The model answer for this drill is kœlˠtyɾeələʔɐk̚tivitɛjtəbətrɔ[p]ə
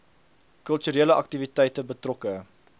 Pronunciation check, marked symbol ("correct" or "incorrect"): incorrect